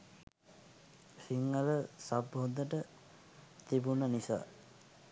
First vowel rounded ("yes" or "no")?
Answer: no